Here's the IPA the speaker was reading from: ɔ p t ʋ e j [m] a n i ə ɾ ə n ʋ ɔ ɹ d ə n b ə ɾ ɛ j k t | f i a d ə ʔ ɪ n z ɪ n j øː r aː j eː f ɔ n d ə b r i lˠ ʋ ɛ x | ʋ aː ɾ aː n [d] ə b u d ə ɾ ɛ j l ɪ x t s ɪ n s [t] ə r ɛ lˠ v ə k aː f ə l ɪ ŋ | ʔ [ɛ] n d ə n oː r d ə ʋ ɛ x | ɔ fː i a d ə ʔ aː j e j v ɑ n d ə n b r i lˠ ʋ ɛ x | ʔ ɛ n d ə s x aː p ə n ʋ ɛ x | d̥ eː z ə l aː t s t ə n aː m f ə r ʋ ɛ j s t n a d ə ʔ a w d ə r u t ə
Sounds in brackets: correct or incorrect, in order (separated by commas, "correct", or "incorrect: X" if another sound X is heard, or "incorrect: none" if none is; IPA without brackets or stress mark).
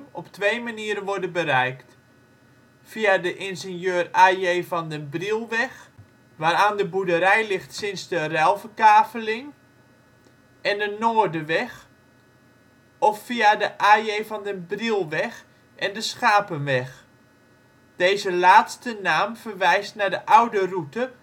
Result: correct, correct, incorrect: d, correct